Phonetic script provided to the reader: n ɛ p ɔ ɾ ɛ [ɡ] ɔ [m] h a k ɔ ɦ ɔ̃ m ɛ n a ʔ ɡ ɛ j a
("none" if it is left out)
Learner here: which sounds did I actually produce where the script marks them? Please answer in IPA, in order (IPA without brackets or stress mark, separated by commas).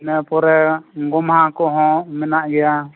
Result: ɡ, m